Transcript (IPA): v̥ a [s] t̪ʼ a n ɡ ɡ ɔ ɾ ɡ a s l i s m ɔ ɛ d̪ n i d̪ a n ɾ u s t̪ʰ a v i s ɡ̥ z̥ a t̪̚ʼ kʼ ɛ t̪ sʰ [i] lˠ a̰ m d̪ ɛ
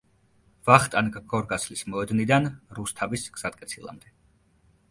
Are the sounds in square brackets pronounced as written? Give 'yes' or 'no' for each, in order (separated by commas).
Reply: no, yes